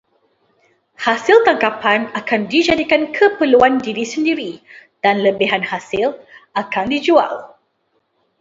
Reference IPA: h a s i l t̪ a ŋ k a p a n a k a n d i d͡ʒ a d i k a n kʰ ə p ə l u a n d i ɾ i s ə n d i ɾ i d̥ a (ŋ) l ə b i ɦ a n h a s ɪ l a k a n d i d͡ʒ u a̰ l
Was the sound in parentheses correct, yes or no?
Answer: no